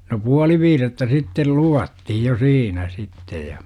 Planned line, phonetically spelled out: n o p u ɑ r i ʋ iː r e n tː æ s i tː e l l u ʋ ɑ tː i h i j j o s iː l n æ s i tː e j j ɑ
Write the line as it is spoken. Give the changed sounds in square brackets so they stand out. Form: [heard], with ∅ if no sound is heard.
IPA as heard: n o p u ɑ [l] i ʋ iː r e [∅] tː æ s i tː e l l u ʋ ɑ tː i h i j j o s iː [∅] n æ s i tː e j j ɑ